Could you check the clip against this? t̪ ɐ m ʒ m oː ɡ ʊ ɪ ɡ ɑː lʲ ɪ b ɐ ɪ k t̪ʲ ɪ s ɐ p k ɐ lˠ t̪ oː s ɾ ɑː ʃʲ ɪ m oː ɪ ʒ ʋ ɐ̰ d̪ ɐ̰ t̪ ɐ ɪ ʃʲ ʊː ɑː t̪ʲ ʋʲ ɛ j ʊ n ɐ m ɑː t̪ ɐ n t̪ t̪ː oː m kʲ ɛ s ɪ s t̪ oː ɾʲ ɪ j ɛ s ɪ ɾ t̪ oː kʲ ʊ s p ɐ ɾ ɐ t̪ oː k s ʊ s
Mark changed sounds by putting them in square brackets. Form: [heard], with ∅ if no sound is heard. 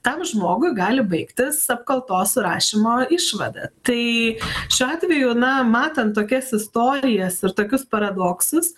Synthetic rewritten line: t̪ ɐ m ʒ m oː ɡ ʊ ɪ ɡ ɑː lʲ ɪ b ɐ ɪ k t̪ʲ ɪ s ɐ p k ɐ lˠ t̪ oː s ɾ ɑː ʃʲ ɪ m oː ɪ [ʃ] ʋ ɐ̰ d̪ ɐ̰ t̪ ɐ ɪ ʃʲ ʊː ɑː t̪ʲ ʋʲ ɛ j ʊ n ɐ m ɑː t̪ ɐ n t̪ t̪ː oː [∅] kʲ ɛ s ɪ s t̪ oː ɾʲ ɪ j ɛ s ɪ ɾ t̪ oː kʲ ʊ s p ɐ ɾ ɐ [d̪] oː k s ʊ s